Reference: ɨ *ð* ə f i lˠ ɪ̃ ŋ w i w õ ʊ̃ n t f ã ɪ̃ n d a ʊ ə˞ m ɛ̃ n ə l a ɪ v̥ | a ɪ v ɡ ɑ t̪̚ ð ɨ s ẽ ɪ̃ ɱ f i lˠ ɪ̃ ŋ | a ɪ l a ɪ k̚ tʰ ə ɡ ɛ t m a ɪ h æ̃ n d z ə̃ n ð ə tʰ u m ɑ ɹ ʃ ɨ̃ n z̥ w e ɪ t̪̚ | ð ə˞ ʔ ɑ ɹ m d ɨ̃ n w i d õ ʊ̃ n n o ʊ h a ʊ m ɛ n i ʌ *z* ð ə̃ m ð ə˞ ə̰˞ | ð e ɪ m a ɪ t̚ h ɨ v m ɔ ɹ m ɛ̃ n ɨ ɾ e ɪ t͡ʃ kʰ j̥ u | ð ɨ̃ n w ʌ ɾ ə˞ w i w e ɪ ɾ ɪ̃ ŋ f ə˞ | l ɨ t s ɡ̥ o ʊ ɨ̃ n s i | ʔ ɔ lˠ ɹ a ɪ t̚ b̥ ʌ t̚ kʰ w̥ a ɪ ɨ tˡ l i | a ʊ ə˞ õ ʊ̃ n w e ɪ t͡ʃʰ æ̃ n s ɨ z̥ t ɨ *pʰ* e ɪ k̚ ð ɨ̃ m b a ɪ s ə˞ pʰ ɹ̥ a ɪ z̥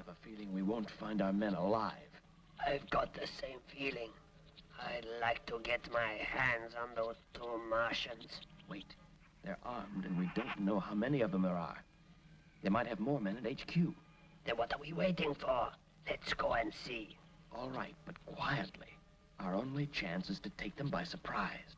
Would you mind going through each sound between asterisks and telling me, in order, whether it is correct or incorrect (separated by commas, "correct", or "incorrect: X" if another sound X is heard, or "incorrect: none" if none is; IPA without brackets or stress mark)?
incorrect: v, incorrect: v, incorrect: tʰ